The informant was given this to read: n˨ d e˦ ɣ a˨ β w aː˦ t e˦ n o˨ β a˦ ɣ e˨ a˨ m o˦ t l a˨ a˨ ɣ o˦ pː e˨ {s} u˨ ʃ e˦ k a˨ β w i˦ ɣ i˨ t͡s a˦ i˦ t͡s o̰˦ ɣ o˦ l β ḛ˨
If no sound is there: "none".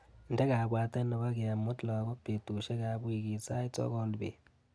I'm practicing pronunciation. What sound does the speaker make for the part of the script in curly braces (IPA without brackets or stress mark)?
t